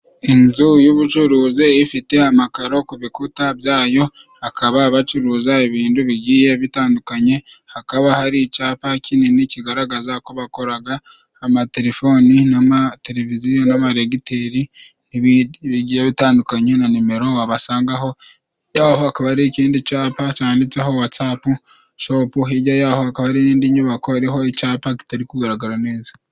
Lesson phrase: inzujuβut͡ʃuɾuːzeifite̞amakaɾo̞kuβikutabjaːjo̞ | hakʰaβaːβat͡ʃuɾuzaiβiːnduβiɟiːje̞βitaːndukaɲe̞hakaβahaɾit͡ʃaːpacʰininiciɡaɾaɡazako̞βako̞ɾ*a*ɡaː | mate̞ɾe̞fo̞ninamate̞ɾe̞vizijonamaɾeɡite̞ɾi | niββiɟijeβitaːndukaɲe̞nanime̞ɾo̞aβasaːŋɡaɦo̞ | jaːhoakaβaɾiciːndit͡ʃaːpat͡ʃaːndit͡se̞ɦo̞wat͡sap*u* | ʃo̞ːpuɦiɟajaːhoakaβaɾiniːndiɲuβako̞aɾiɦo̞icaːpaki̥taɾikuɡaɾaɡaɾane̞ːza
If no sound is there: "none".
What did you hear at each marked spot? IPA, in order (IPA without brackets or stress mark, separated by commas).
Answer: a, u